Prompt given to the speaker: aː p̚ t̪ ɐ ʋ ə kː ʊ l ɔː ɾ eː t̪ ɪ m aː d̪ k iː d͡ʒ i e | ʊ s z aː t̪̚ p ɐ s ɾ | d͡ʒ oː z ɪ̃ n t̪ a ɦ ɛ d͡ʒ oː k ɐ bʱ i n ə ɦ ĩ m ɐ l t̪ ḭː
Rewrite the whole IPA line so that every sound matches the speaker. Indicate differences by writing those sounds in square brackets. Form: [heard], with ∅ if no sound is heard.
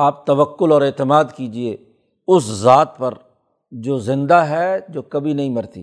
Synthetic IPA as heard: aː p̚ t̪ ɐ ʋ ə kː ʊ l ɔː ɾ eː t̪ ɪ m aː d̪ k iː d͡ʒ i e | ʊ s z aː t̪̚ p ɐ [∅] ɾ | d͡ʒ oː z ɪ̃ n [d̪] a ɦ ɛ d͡ʒ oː k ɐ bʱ i n [ɐ] ɦ ĩ m ɐ [ɾ] t̪ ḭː